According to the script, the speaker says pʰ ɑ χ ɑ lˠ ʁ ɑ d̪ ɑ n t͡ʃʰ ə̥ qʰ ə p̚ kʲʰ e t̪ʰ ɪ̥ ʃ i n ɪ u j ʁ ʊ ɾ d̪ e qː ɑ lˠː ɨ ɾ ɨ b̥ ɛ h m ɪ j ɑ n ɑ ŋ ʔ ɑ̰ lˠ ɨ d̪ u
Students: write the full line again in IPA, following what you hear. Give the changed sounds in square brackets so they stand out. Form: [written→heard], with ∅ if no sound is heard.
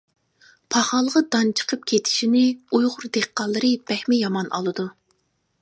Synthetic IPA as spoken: pʰ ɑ χ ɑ lˠ ʁ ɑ d̪ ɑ n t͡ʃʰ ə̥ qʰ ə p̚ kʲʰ e t̪ʰ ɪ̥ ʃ i n ɪ u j ʁ ʊ ɾ d̪ e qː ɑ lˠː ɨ ɾ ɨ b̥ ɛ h m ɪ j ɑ [n→m] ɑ [ŋ→n] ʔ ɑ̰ lˠ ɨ d̪ u